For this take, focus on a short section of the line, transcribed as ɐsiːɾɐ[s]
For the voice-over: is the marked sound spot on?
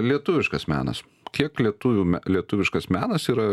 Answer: no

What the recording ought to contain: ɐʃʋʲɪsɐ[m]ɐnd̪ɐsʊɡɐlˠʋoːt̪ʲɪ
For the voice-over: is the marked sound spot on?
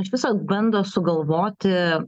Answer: no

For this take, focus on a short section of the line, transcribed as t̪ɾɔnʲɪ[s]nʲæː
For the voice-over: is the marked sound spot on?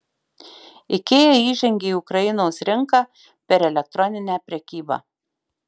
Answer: no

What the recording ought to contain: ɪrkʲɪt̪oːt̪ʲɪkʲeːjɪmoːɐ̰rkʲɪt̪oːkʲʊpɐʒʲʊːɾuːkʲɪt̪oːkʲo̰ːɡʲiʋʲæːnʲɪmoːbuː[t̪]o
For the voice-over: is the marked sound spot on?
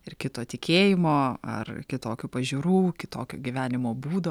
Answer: no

